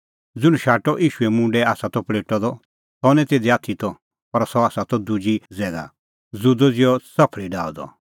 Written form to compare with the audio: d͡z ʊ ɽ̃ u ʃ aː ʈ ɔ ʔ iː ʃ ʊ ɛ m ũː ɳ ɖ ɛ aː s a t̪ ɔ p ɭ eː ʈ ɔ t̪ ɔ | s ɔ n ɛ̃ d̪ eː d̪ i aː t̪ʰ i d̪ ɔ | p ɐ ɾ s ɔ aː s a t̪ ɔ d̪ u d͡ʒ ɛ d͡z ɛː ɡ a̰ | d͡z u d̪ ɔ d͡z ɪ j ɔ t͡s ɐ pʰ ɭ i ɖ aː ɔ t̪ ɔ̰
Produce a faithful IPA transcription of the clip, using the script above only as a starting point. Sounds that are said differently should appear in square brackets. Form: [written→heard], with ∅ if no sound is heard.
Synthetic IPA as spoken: d͡z ʊ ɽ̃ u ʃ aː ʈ ɔ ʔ iː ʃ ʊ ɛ m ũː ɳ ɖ ɛ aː s a t̪ ɔ p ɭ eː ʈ ɔ [t̪→d̪] ɔ | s ɔ n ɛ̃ [d̪→t̪] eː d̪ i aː t̪ʰ i [d̪→t̪] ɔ | p ɐ ɾ s ɔ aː s a t̪ ɔ d̪ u d͡ʒ [ɛ→i] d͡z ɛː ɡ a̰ | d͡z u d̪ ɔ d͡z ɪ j ɔ t͡s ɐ pʰ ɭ i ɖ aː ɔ [t̪→d̪] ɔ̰